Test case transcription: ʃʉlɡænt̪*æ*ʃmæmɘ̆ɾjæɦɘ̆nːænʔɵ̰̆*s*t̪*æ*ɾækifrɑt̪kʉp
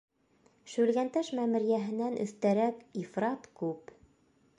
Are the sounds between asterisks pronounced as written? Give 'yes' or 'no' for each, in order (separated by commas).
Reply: yes, no, yes